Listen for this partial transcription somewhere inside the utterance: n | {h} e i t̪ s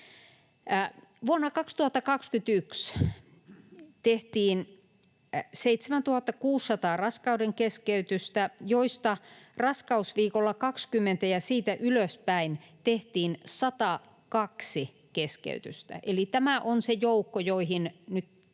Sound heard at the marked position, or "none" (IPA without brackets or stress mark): s